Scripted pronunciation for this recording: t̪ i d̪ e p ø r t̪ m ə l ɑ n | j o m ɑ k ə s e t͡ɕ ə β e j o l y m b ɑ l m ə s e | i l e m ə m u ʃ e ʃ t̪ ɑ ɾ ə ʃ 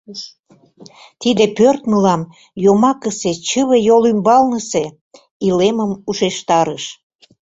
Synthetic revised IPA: t̪ i d̪ e p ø r t̪ m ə l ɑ m | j o m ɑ k ə s e t͡ɕ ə β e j o l y m b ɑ l n ə s e | i l e m ə m u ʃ e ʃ t̪ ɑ ɾ ə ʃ